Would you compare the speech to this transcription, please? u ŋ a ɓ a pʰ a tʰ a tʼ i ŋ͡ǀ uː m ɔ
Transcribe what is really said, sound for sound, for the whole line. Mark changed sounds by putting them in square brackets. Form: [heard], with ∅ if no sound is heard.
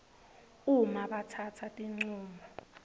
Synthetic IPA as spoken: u [m] a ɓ a [tʰ] a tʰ a tʼ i ŋ͡ǀ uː m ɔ

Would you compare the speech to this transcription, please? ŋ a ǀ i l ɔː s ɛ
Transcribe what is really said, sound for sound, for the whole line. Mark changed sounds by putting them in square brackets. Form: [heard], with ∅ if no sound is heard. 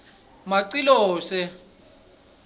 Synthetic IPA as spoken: [m] a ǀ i l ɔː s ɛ

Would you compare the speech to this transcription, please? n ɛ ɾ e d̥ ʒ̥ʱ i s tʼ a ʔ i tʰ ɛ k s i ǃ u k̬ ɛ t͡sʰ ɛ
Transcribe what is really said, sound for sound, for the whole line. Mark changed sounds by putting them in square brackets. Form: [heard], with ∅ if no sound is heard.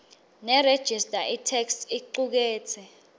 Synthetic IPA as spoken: n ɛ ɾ e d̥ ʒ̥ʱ i s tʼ a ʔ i tʰ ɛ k s i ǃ u k̬ [ɛː] t͡sʰ ɛ

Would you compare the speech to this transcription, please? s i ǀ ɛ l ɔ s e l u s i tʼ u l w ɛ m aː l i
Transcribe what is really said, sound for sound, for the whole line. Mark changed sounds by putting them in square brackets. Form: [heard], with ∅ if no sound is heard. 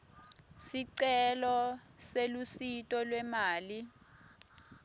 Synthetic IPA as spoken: s i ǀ ɛ l ɔ s e l u s i tʼ [ɔ] l w ɛ m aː l i

